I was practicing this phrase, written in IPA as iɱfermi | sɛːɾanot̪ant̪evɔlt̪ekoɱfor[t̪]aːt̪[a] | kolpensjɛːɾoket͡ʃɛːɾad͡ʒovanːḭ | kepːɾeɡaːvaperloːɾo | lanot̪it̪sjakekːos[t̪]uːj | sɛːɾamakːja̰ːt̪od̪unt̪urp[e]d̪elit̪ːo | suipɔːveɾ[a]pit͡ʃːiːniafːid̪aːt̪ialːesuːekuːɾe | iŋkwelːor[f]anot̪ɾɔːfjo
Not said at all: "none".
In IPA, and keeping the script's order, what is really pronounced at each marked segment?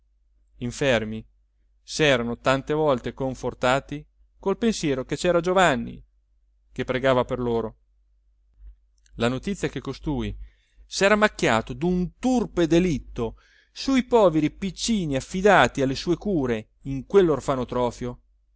t̪, i, t̪, e, i, f

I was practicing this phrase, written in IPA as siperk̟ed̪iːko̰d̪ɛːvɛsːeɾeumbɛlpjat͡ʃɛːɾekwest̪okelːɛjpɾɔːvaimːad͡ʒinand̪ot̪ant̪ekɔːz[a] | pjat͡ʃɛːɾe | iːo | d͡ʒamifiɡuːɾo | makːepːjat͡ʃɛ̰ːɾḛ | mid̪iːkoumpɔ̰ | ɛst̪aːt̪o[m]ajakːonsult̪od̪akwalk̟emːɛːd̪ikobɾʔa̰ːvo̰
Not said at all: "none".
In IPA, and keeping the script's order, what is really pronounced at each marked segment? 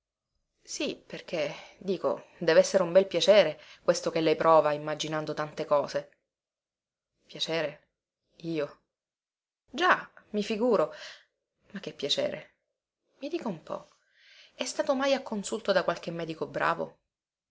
e, m

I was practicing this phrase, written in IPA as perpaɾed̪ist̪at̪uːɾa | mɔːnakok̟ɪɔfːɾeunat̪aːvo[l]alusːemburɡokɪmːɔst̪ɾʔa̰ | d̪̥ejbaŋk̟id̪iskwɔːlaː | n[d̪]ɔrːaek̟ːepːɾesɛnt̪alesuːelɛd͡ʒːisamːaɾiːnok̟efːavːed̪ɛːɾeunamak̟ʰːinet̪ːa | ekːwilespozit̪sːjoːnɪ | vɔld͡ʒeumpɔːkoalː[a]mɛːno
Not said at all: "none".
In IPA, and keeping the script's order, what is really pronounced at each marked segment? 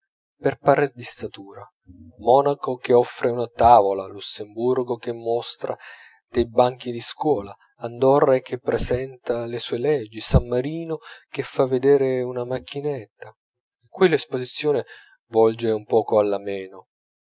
l, d̪, a

